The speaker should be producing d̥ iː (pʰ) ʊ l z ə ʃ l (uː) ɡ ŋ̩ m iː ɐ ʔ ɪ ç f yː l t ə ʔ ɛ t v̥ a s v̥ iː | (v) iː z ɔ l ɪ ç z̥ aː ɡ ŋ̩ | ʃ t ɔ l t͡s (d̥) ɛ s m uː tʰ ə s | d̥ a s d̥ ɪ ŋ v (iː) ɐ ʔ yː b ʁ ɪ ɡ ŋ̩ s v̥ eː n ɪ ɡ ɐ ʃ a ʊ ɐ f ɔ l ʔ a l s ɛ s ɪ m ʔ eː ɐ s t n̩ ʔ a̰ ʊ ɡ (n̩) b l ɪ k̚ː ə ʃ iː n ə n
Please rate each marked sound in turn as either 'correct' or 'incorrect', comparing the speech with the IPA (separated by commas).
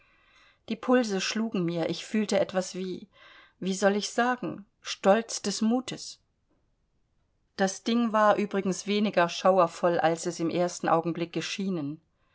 correct, correct, correct, correct, incorrect, incorrect